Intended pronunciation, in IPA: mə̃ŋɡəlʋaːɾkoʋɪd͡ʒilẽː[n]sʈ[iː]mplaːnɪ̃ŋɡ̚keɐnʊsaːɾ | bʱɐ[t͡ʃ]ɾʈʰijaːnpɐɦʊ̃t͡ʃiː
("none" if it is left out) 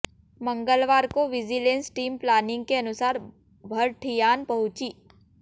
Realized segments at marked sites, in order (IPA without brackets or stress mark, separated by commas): n, iː, none